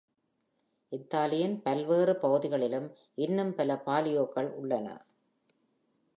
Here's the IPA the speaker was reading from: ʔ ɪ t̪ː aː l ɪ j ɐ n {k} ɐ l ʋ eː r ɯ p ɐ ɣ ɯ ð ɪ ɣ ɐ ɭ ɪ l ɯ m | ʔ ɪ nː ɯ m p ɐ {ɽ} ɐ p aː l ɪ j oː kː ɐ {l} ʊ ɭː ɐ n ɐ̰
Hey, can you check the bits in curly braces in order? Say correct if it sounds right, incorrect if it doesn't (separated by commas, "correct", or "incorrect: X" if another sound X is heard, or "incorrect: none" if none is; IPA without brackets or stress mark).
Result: incorrect: p, incorrect: l, incorrect: ɭ